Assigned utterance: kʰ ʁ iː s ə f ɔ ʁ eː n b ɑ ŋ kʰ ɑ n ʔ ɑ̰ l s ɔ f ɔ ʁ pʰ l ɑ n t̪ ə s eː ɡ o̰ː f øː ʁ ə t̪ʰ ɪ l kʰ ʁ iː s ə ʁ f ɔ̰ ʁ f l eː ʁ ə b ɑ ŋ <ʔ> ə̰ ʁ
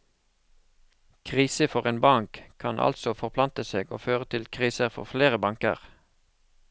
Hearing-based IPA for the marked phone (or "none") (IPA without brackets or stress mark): k